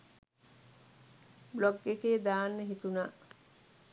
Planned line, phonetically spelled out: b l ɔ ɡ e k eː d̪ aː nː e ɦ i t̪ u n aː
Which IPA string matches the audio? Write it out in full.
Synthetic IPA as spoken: b l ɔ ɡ e k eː d̪ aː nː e ɦ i t̪ u n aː